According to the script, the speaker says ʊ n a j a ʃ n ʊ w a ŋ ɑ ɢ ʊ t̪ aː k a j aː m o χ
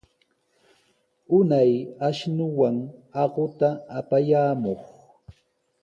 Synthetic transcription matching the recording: ʊ n a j a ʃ n ʊ w a ŋ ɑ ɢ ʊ t̪ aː p a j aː m o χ